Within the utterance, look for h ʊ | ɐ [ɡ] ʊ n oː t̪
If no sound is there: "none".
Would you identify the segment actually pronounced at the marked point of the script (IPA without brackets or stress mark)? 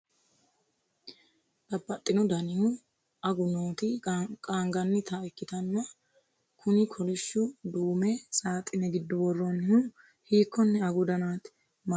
ɡ